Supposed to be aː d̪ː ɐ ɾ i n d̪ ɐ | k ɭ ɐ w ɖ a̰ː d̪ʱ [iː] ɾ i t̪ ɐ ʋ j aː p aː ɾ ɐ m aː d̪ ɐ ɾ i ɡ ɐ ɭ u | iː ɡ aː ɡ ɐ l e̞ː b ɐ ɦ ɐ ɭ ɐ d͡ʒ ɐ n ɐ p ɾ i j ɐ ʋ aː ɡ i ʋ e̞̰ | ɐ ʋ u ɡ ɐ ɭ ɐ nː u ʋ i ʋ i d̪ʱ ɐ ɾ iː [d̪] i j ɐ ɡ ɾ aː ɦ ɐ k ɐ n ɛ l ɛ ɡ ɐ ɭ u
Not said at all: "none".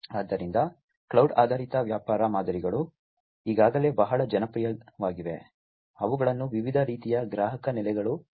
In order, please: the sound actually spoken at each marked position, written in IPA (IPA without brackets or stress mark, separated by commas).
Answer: aː, t̪